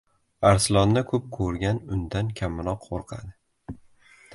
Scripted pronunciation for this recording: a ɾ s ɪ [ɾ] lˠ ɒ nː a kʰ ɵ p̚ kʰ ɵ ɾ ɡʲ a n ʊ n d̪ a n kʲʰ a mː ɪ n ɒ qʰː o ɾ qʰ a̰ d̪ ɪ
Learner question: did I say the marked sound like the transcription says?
no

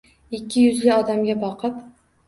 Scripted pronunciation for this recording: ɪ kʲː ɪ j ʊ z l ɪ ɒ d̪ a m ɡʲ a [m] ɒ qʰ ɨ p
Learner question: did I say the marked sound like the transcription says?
no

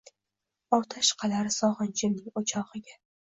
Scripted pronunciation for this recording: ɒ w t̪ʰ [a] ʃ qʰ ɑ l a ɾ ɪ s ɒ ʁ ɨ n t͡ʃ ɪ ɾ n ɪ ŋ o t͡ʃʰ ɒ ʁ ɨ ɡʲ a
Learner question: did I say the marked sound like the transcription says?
yes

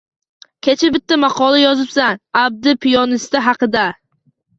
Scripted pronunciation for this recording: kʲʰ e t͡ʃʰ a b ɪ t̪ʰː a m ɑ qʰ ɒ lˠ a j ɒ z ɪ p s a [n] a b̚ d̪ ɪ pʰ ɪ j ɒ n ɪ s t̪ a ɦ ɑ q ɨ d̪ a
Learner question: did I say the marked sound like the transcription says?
yes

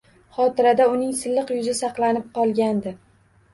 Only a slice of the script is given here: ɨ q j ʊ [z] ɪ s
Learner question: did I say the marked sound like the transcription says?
yes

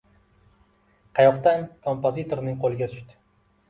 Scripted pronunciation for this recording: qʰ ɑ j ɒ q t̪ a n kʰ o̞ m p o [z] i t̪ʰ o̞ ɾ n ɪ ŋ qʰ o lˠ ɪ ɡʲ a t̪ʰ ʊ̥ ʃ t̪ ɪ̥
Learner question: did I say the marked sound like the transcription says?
yes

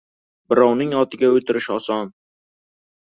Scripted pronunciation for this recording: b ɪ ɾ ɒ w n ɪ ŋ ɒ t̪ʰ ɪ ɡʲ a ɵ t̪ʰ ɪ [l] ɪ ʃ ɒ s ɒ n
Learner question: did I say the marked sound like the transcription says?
no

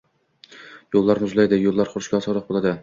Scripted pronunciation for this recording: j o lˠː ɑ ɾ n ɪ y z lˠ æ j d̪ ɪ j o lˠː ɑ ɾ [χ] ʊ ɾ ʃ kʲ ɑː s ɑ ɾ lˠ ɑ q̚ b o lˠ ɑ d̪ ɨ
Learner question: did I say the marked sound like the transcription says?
yes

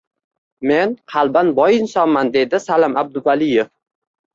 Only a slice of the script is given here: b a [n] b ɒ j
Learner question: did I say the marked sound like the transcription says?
yes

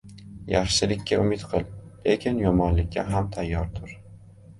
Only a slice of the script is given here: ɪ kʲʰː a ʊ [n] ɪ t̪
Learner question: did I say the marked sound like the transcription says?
no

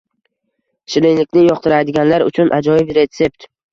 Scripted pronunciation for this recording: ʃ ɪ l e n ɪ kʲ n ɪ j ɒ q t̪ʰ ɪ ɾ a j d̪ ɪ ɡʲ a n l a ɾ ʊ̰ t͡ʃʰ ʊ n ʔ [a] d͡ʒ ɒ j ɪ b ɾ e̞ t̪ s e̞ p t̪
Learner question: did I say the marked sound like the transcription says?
yes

